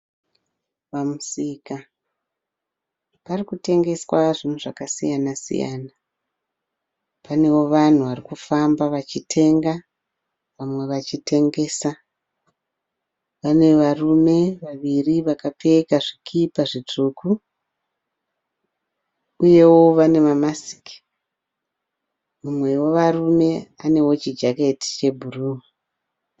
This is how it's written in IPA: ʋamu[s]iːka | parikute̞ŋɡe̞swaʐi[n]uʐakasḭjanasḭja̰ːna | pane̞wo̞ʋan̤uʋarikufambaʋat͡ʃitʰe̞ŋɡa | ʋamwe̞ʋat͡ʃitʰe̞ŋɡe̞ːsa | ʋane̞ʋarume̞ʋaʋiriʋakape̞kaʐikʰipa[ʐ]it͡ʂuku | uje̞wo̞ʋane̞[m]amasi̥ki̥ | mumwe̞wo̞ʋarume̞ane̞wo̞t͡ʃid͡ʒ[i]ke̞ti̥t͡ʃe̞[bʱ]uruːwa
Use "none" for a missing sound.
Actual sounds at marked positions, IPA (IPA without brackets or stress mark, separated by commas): s, n, ʐ, m, a, bʱ